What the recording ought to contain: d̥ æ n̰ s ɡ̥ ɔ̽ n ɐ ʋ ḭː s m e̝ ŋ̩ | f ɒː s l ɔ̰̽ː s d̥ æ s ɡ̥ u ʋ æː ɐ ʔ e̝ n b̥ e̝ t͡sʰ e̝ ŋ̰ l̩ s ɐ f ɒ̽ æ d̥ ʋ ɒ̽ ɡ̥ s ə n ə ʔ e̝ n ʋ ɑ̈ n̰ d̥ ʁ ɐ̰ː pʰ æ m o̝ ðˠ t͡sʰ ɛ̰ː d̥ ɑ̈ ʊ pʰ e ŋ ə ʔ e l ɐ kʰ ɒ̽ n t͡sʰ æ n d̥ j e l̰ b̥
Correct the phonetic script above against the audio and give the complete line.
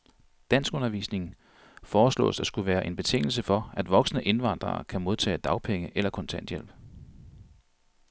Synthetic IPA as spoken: d̥ æ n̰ s ɡ̥ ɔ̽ n ɐ ʋ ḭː s n e̝ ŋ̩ | f ɒː s l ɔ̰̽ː s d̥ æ s ɡ̥ u ʋ æː ɐ ʔ e̝ n b̥ e̝ t͡sʰ e̝ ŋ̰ l̩ s ə f ɒ̽ æ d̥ ʋ ɒ̽ ɡ̥ s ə n ə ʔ e̝ n ʋ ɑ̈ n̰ d̥ ʁ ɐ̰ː kʰ æ m o̝ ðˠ t͡sʰ ɛ̰ː d̥ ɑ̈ ʊ pʰ e ŋ ə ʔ e l ɐ kʰ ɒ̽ n t͡sʰ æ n d̥ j e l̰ b̥